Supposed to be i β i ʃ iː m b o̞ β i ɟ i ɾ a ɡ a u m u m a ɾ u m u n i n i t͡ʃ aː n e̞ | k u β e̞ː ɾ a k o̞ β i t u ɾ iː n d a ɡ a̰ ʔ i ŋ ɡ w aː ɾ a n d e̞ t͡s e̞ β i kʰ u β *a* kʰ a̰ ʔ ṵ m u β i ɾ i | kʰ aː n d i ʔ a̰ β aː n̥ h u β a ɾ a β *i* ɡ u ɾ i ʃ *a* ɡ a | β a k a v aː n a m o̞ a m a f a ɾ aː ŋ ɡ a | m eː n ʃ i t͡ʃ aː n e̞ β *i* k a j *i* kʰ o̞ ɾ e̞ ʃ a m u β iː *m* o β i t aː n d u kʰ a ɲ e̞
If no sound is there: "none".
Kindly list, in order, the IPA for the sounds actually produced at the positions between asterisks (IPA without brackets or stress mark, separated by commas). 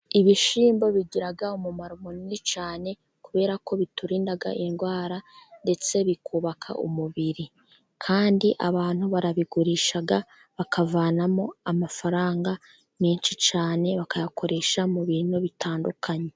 a, i, a, a, a, n